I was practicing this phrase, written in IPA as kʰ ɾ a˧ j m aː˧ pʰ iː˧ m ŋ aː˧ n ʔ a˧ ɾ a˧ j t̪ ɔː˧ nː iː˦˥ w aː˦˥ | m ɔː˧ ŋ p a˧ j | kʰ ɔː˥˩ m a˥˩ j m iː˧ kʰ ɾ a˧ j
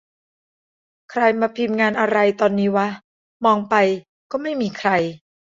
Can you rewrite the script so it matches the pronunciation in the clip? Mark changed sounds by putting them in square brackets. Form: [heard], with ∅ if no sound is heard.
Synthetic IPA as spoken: kʰ ɾ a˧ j m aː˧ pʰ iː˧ m ŋ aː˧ n ʔ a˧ ɾ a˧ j t̪ ɔː˧ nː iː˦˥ w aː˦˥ | m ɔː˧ ŋ p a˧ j | [k] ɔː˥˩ m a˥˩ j m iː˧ kʰ ɾ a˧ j

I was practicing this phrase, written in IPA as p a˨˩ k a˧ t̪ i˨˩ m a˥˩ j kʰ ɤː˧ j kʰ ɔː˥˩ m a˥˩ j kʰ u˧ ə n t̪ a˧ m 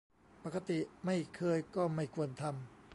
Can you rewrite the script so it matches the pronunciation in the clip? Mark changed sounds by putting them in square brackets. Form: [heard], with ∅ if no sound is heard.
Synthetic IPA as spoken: p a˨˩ k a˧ t̪ i˨˩ m a˥˩ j kʰ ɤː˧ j [k] ɔː˥˩ m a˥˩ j kʰ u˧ ə n [t̪ʰ] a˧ m

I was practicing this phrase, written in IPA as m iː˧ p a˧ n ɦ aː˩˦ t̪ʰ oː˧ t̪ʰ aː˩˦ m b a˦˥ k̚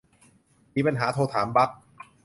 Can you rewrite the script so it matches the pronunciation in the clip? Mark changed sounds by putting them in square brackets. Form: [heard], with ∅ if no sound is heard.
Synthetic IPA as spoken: m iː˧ p a˧ n ɦ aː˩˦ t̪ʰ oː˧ t̪ʰ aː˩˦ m b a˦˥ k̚

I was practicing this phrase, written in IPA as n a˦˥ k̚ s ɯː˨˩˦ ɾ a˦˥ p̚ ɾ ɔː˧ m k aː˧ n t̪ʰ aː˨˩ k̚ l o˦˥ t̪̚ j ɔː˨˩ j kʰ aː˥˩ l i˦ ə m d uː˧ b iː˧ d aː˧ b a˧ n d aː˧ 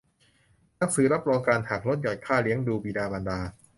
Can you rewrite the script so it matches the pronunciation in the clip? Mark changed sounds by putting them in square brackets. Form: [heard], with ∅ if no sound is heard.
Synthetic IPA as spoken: n a˦˥ k̚ s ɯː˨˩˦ ɾ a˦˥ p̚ ɾ ɔː˧ [ŋ] k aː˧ n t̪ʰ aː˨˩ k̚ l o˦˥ t̪̚ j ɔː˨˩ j kʰ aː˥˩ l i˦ ə [ŋ] d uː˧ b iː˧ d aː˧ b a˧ n d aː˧

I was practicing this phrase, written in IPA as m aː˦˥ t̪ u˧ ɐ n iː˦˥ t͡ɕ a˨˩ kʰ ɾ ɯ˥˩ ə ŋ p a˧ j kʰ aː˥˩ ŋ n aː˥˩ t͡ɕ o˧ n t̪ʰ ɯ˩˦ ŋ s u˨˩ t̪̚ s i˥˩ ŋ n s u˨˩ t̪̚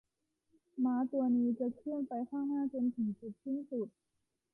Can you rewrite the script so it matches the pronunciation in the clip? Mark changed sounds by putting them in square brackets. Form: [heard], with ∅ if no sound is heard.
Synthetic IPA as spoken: m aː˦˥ t̪ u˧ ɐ n iː˦˥ t͡ɕ a˨˩ kʰ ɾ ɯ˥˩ ə [n] p a˧ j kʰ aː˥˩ ŋ n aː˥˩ t͡ɕ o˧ n t̪ʰ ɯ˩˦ ŋ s u˨˩ t̪̚ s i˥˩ [∅] n s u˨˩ t̪̚

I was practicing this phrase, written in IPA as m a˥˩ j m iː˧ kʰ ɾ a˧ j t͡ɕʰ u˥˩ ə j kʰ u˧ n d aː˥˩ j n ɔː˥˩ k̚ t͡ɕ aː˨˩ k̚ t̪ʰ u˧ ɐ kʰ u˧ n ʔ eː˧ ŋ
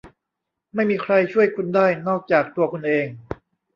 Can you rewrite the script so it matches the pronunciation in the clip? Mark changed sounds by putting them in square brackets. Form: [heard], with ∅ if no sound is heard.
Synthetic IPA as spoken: m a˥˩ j m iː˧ kʰ ɾ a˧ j t͡ɕʰ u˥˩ ə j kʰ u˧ n d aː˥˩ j n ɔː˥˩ k̚ t͡ɕ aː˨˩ k̚ [t̪] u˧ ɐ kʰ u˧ n ʔ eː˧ ŋ

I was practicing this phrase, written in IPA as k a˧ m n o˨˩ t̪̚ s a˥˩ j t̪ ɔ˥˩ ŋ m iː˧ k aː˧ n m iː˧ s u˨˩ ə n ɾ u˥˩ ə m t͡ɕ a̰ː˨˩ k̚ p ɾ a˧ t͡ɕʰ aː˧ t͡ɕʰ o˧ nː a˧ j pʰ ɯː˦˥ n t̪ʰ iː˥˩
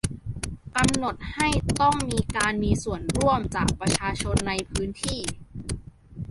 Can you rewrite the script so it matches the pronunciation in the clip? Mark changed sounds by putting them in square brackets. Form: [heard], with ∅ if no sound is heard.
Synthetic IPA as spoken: k a˧ m n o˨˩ t̪̚ [h] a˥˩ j t̪ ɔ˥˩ ŋ m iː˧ k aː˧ n m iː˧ s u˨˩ ə n ɾ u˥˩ ə m t͡ɕ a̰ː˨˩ k̚ p ɾ a˧ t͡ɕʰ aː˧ t͡ɕʰ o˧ nː a˧ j pʰ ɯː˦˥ n t̪ʰ iː˥˩

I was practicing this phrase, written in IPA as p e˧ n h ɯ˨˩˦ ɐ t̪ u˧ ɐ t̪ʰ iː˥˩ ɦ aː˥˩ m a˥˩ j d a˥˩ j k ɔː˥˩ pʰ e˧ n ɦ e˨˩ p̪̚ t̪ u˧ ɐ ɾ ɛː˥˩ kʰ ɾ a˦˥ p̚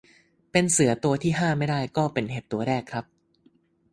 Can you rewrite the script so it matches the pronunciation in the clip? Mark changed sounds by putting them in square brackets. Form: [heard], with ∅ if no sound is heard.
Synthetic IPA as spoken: p e˧ n [s] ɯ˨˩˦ ɐ t̪ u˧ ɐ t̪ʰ iː˥˩ ɦ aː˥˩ m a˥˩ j d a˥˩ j k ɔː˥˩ [p] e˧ n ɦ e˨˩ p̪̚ t̪ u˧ ɐ ɾ ɛː˥˩ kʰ ɾ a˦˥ p̚

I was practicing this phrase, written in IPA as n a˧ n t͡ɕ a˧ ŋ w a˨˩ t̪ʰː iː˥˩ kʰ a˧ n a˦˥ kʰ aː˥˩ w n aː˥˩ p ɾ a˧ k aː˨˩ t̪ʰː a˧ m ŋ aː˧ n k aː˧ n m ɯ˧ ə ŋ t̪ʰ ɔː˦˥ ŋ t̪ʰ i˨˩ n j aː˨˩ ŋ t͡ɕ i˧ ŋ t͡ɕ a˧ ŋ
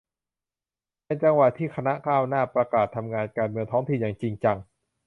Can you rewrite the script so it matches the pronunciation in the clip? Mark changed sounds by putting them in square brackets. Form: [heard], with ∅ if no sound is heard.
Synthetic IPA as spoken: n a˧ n t͡ɕ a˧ ŋ w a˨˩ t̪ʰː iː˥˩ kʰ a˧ n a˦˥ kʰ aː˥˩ w n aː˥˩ p ɾ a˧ k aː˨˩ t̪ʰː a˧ m ŋ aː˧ n k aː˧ n m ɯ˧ ə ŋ t̪ʰ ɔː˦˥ ŋ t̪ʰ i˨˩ n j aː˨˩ ŋ t͡ɕ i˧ ŋ t͡ɕ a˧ ŋ

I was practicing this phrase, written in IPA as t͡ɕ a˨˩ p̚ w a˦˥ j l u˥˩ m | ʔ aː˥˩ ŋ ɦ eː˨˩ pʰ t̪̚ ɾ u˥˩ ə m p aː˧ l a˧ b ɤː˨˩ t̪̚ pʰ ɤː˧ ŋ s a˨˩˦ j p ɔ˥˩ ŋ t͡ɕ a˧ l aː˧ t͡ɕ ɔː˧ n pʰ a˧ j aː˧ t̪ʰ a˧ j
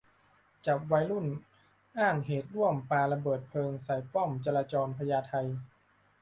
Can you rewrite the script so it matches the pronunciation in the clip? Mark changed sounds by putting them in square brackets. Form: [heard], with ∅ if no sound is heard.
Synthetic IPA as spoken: t͡ɕ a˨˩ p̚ w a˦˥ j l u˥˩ [n] | ʔ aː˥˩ ŋ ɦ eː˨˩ [∅] t̪̚ ɾ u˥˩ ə m p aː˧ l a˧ b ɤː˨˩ t̪̚ pʰ ɤː˧ ŋ s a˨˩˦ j p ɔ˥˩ [m] t͡ɕ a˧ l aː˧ t͡ɕ ɔː˧ n pʰ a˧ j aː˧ t̪ʰ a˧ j

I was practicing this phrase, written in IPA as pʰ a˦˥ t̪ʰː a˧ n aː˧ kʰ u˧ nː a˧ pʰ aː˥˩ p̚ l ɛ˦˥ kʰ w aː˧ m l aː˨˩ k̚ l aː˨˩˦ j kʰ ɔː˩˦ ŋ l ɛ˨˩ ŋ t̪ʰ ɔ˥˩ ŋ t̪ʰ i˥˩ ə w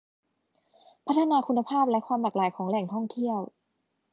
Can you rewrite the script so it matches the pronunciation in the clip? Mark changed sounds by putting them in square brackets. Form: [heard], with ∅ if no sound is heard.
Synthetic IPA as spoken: pʰ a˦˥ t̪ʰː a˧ n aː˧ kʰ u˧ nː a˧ pʰ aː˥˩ p̚ l ɛ˦˥ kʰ w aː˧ m l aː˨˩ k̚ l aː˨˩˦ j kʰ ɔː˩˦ ŋ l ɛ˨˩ ŋ t̪ʰ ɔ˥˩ ŋ t̪ʰ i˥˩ ə w

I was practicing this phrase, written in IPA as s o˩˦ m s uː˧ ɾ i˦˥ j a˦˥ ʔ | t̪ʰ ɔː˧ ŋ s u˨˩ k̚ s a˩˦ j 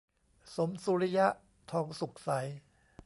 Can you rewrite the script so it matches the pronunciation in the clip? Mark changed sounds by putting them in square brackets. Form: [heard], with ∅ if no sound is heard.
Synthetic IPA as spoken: s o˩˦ m s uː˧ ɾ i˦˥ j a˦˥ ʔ | t̪ʰ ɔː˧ ŋ s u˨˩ k̚ s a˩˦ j

